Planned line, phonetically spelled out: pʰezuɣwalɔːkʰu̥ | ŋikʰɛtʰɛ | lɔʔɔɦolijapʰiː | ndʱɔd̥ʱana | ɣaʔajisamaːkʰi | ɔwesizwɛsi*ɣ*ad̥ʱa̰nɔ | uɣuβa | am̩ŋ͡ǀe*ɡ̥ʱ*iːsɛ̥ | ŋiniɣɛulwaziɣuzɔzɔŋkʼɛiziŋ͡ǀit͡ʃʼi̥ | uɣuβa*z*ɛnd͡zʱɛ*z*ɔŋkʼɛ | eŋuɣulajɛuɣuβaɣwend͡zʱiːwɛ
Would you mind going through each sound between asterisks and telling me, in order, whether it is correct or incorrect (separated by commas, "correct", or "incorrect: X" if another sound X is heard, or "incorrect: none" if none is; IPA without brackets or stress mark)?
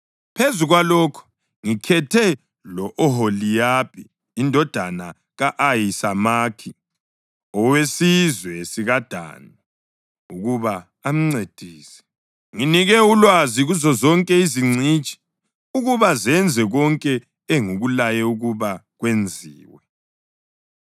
correct, incorrect: d̥ʱ, correct, incorrect: ɣ